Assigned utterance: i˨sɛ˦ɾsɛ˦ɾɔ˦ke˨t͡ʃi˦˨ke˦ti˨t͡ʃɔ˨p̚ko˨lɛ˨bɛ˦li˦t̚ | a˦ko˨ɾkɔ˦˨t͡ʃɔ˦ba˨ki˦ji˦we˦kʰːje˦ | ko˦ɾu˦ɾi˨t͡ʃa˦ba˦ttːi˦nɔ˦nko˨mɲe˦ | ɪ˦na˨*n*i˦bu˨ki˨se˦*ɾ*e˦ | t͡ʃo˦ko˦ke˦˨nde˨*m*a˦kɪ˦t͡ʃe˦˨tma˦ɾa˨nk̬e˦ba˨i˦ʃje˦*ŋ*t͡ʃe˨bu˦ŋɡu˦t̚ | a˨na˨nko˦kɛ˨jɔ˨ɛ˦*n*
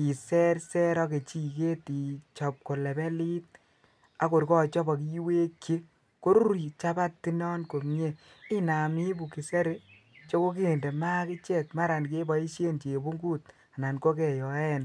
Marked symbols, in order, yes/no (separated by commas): no, yes, yes, no, yes